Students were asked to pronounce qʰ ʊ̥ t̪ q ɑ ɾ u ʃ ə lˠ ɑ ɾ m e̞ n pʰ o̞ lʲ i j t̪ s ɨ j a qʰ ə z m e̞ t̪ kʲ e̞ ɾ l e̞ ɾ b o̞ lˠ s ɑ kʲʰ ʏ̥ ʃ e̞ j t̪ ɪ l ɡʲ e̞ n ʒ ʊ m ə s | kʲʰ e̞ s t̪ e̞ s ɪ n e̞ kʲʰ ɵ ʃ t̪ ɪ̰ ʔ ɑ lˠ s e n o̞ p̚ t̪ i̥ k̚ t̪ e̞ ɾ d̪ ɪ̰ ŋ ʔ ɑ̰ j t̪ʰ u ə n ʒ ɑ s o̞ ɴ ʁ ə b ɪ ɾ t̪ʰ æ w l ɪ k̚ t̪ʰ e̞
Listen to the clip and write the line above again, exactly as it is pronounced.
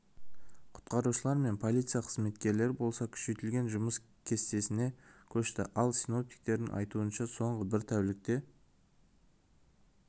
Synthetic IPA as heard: qʰ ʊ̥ t̪ q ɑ ɾ u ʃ ə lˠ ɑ ɾ m e̞ n pʰ o̞ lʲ i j t̪ s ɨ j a qʰ ə z m e̞ t̪ kʲ e̞ ɾ l e̞ ɾ b o̞ lˠ s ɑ kʲʰ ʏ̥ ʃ e̞ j t̪ ɪ l ɡʲ e̞ n ʒ ʊ m ə s | kʲʰ e̞ s t̪ e̞ s ɪ n e̞ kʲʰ ɵ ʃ t̪ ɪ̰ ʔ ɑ lˠ s i n o̞ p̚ t̪ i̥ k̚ t̪ e̞ ɾ d̪ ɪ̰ ŋ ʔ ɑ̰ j t̪ u ə n ʃ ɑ s o̞ ɴ ʁ ə b ɪ ɾ t̪ʰ æ w l ɪ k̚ t̪ e̞